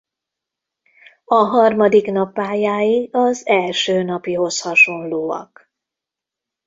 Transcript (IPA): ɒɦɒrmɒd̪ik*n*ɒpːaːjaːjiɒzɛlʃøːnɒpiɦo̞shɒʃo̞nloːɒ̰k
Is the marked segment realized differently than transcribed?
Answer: no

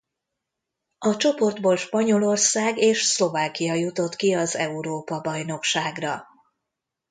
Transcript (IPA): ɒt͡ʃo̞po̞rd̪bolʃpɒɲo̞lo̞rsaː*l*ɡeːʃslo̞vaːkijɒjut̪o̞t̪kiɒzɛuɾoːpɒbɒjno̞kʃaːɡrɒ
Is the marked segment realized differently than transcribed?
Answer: yes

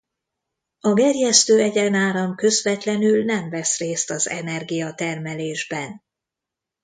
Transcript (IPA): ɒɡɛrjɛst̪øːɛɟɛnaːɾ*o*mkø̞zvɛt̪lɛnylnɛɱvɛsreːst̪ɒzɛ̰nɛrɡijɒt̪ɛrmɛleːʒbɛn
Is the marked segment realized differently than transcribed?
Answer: yes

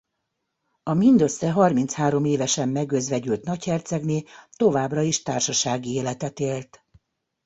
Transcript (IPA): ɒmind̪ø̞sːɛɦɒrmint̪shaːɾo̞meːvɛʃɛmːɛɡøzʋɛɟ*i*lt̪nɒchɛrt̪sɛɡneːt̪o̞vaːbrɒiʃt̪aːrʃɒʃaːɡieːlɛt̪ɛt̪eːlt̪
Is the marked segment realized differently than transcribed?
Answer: yes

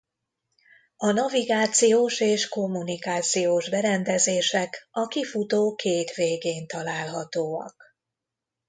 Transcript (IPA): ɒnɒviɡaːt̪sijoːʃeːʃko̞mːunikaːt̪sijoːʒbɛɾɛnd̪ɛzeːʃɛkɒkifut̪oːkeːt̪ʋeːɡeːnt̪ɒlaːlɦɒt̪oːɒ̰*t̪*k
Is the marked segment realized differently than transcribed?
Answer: yes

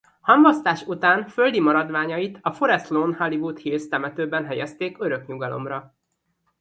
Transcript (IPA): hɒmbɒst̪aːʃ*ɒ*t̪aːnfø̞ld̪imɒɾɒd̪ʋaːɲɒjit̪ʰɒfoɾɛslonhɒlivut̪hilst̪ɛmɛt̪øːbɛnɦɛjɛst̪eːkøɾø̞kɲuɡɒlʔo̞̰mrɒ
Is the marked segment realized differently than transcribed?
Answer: yes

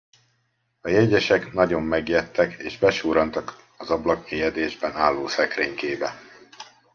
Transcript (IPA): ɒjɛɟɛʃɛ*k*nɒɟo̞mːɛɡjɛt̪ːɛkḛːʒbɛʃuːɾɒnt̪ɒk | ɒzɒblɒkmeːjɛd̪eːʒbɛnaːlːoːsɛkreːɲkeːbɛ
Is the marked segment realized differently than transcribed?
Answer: no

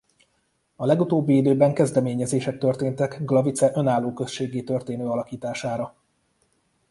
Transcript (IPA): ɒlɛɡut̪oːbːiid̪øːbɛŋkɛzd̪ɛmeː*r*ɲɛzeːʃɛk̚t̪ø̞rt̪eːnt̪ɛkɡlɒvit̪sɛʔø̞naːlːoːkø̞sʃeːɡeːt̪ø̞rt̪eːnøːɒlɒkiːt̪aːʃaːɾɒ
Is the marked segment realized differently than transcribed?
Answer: yes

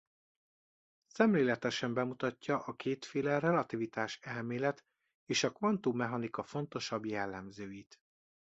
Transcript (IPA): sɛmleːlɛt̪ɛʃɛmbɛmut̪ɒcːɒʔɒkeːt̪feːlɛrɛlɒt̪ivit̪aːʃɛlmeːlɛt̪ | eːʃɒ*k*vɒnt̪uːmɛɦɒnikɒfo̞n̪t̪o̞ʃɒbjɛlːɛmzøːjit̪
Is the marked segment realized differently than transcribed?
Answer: no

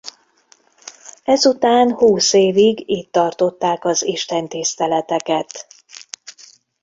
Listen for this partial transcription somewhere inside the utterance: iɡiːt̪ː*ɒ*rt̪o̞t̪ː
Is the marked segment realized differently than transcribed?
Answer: no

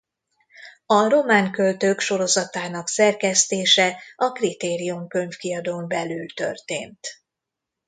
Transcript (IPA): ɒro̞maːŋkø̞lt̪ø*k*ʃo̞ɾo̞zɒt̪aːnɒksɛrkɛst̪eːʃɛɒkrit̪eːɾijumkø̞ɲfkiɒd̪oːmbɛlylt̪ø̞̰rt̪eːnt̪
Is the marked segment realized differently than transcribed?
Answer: no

